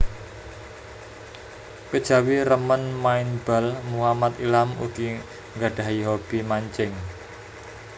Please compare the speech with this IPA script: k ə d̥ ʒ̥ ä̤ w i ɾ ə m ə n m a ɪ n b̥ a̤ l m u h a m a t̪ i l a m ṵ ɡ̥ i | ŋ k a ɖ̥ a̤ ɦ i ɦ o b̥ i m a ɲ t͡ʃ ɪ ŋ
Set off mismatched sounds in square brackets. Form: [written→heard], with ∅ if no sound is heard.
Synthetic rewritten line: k ə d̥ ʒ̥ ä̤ w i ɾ ə m ə n m a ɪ n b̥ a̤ l m u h a m a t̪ i l a m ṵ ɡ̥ i | ŋ [k→ɡ] a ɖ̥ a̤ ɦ i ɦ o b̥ i m a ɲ t͡ʃ ɪ ŋ